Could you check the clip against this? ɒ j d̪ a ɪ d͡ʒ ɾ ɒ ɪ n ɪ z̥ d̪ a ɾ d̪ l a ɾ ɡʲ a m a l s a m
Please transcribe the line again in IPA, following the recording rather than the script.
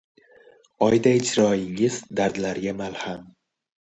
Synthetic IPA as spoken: ɒ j d̪ a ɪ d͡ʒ ɾ ɒ ɪ ŋ ɪ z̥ d̪ a ɾ d̪ l a ɾ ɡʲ a m a l h a m